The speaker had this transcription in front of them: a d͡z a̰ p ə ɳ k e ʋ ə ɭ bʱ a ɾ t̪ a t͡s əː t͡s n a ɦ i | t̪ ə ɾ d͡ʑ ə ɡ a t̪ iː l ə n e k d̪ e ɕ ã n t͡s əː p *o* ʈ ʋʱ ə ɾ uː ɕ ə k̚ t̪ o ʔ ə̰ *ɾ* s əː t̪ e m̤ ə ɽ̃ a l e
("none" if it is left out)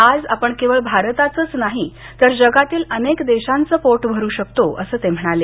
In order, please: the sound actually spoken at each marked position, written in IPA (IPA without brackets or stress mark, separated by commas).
o, none